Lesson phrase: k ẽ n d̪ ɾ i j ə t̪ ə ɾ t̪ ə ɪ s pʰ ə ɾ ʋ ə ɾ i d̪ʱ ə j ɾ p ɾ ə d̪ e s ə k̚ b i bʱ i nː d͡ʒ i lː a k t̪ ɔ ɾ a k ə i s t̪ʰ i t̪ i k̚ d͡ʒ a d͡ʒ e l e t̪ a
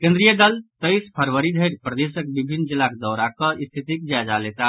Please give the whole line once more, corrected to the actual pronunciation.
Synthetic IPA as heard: k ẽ n d̪ ɾ i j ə d̪ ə l t̪ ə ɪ s pʰ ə ɾ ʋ ə ɾ i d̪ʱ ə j ɾ p ɾ ə d̪ e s ə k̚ b i bʱ i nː d͡ʒ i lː a k d̪ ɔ ɾ a k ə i s t̪ʰ i t̪ i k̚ d͡ʒ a d͡ʒ a l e t̪ a

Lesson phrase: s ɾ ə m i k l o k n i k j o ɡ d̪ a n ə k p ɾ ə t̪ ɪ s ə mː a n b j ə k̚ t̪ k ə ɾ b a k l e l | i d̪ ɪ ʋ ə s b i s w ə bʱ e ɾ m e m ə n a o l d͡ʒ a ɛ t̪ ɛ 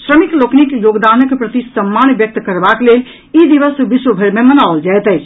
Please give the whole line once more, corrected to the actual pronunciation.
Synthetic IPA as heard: s ɾ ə m i k l o k n i k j o ɡ d̪ a n ə k p ɾ ə t̪ i s ə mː a n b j ə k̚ t̪ k ə ɾ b a k l e l | i d̪ i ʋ ə s b i s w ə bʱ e ɾ m e m ə n a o l d͡ʒ a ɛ t̪ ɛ

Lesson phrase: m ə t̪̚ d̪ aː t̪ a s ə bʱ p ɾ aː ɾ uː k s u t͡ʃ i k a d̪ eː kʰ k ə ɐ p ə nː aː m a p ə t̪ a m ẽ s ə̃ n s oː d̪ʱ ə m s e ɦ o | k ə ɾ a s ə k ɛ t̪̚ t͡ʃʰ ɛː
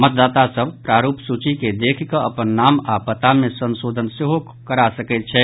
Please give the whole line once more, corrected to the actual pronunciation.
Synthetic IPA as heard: m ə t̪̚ d̪ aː t̪ a s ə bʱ p ɾ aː ɾ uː p s u t͡ʃ i k e d̪ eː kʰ k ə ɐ p ə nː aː m a p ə t̪ a m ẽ s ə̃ n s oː d̪ʱ ə n s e ɦ o | k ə ɾ a s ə k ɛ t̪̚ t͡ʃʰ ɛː

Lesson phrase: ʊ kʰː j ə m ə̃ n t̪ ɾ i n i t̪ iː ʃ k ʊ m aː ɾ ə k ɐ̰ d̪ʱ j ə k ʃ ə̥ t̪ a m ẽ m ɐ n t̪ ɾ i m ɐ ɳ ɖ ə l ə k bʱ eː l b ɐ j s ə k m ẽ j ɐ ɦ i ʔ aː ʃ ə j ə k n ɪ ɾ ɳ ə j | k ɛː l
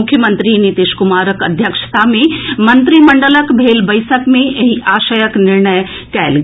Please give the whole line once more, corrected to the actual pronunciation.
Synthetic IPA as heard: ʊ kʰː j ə m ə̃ n t̪ ɾ i n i t̪ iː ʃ k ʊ m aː ɾ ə k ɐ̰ d̪ʱ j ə k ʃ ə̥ t̪ a m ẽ m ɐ n t̪ ɾ i m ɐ ɳ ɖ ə l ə k bʱ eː l b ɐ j s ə k m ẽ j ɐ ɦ i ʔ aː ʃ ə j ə k n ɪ ɾ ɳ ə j | k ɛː l

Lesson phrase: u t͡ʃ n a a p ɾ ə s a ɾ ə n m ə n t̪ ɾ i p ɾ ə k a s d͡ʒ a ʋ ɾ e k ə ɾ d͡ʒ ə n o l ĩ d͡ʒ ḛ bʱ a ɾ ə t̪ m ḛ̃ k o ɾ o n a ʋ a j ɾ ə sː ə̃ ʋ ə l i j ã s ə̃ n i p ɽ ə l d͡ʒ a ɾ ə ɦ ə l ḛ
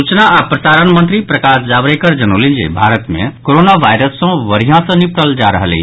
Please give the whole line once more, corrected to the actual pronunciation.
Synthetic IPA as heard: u t͡ʃ n a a p ɾ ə s a ɾ ə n m ə n t̪ ɾ i p ɾ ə k a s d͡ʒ a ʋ ɾ e k ə ɾ d͡ʒ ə n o l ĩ d͡ʒ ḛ bʱ a ɾ ə t̪ m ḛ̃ k o ɾ o n a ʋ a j ɾ ə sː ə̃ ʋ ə ɾ i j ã s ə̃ n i p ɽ ə l d͡ʒ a ɾ ə ɦ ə l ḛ

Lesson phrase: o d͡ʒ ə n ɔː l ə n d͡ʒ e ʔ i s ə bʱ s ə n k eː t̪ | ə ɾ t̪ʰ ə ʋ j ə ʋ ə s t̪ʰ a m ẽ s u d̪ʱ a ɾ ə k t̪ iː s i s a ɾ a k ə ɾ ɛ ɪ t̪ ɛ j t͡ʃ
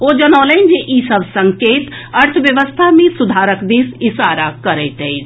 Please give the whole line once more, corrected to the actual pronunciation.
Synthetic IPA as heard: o d͡ʒ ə n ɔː l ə n d͡ʒ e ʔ i s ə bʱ s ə ŋ k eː t̪ | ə ɾ t̪ʰ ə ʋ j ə ʋ ə s t̪ʰ a m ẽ s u d̪ʱ a ɾ ə k d̪ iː s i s a ɾ a k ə ɾ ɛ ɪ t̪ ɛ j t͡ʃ

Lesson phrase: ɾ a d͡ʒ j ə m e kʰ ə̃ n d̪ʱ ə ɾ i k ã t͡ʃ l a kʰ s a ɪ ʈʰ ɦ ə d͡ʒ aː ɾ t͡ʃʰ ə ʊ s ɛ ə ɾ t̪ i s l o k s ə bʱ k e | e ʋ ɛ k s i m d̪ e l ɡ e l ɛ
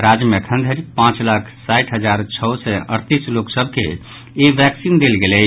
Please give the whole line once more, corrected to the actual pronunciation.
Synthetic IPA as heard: ɾ a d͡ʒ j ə m e kʰ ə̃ n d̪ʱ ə ɾ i p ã t͡ʃ l a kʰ s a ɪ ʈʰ ɦ ə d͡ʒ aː ɾ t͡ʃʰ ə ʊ s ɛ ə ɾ t̪ i s l o k s ə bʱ k e | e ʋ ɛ k s i n d̪ e l ɡ e l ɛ

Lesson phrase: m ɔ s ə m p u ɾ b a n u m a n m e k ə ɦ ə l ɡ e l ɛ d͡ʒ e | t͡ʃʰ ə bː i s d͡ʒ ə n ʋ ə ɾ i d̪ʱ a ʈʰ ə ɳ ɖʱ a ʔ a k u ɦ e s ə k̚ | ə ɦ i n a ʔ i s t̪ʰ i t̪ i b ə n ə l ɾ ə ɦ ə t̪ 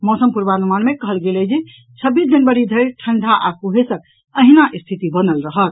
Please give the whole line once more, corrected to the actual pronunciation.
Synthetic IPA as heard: m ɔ s ə m p u ɾ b a n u m a n m e k ə ɦ ə l ɡ e l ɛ d͡ʒ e | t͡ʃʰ ə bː i s d͡ʒ ə n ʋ ə ɾ i d̪ʱ ə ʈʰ ə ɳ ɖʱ a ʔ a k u ɦ e s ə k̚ | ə ɦ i n a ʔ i s t̪ʰ i t̪ i b ə n ə l ɾ ə ɦ ə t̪

